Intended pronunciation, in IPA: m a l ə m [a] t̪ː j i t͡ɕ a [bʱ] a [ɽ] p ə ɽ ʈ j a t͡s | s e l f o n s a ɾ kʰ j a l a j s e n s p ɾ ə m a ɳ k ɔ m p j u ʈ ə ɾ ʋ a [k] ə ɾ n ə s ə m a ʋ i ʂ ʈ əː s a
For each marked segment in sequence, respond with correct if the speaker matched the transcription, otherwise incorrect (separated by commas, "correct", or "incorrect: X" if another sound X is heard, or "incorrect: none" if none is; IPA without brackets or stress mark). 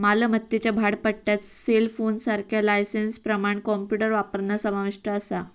incorrect: ə, correct, correct, incorrect: p